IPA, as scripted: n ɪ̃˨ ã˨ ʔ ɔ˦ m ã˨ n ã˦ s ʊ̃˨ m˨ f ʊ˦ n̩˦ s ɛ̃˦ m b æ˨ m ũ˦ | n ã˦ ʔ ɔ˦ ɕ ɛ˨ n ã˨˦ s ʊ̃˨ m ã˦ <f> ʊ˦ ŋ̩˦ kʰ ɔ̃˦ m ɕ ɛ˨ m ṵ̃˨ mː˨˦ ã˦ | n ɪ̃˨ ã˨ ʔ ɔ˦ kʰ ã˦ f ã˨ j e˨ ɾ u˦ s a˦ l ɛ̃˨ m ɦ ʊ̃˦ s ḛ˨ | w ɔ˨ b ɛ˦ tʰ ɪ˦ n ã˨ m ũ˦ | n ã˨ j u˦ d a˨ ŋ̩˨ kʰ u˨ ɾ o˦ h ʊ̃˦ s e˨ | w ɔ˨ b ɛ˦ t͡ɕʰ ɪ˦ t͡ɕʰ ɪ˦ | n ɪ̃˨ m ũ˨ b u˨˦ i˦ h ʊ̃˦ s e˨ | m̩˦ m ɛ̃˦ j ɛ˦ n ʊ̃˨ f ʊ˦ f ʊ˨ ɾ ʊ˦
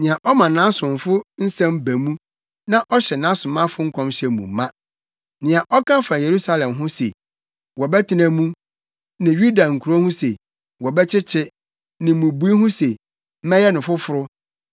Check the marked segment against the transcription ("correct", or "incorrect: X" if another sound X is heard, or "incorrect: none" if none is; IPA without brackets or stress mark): correct